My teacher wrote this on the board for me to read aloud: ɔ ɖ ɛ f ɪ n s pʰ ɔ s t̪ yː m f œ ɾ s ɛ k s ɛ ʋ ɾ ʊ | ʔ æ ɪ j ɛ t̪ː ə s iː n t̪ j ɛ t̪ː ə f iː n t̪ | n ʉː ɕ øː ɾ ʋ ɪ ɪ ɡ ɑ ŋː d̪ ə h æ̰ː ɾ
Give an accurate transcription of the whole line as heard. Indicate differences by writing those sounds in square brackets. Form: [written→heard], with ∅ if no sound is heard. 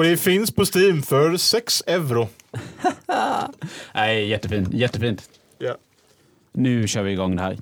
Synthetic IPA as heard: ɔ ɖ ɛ f ɪ n s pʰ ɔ s t̪ [yː→iː] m f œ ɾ s ɛ k s ɛ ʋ ɾ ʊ | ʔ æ ɪ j ɛ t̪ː ə [s→f] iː n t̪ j ɛ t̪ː ə f iː n t̪ | n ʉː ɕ øː ɾ ʋ ɪ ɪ ɡ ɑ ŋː d̪ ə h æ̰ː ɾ